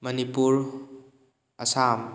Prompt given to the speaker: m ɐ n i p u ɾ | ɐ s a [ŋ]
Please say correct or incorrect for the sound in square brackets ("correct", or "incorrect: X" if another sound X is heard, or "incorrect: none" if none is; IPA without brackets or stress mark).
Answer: incorrect: m